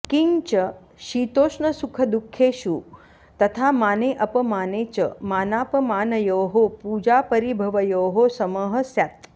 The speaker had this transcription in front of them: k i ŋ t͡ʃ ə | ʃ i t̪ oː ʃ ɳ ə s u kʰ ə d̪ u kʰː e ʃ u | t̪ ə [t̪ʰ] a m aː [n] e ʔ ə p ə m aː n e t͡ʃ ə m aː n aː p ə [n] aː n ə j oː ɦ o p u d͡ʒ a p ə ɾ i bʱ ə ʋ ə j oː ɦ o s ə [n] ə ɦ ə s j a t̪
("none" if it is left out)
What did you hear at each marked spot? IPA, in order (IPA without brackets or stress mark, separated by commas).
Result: t̪ʰ, n, m, m